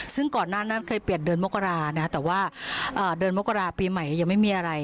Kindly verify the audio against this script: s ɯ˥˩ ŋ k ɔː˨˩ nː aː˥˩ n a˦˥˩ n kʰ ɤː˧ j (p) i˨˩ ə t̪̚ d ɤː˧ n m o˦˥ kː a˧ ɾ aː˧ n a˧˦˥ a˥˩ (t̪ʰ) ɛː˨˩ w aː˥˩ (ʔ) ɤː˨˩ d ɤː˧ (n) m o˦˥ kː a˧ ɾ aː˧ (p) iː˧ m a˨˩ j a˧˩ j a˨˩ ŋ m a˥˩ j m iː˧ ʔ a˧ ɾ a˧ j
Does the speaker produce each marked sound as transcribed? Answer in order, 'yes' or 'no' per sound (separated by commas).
yes, no, yes, yes, yes